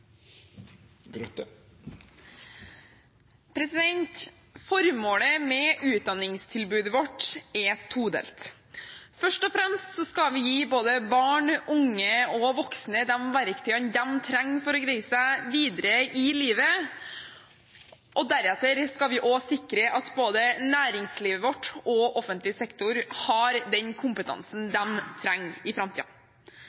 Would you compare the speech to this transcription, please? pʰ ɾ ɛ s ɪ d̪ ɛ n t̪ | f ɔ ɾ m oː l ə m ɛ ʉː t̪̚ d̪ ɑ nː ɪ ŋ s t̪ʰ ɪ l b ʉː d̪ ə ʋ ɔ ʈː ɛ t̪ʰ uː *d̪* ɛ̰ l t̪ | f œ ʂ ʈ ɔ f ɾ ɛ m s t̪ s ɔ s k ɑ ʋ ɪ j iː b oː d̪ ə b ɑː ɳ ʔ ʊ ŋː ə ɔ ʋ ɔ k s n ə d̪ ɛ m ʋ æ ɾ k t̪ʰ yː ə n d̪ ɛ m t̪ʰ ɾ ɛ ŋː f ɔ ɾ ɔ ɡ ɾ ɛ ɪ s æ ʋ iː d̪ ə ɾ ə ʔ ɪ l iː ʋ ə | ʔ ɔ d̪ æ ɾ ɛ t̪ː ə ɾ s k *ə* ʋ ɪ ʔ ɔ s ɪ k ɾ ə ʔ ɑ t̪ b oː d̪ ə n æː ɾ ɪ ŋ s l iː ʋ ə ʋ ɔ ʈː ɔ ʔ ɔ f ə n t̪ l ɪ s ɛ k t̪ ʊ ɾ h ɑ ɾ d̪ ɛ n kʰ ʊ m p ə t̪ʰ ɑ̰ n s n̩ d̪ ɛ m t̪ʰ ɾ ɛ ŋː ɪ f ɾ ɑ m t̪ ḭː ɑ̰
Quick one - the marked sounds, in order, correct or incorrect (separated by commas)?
correct, incorrect